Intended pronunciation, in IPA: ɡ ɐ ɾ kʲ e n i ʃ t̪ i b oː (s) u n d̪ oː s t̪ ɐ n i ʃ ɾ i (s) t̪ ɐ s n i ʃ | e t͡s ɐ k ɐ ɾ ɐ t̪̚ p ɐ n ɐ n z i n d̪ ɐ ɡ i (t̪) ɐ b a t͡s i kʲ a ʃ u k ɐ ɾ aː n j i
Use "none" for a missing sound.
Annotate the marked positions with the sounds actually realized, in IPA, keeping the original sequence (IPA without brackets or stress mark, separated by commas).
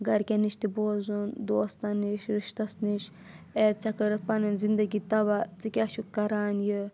z, ʃ, t̪